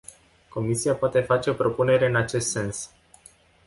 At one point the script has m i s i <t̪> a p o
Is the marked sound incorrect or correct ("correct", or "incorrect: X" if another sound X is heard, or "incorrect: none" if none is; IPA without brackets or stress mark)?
incorrect: none